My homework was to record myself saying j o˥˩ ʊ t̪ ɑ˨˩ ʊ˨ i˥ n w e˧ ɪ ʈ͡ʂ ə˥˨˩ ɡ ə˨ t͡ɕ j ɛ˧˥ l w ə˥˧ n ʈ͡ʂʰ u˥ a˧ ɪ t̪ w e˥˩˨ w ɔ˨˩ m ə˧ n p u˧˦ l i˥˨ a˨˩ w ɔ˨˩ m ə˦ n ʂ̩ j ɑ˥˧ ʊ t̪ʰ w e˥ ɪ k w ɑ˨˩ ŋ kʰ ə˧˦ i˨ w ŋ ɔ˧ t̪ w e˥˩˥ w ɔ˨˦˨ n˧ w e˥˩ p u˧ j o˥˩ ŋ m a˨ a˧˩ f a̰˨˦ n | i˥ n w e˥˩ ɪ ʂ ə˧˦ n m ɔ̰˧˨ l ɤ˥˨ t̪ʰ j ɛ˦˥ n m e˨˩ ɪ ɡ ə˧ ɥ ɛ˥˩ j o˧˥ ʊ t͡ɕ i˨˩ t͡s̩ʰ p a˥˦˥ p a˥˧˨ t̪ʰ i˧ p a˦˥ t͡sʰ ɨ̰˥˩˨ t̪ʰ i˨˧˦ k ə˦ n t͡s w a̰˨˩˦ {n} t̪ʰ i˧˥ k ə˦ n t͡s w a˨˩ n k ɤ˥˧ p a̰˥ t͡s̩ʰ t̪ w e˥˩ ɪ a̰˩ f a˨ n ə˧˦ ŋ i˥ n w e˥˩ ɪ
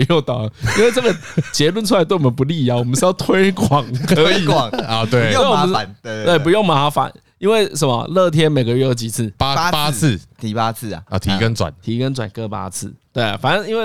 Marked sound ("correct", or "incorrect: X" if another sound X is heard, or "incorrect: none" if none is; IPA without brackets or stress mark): correct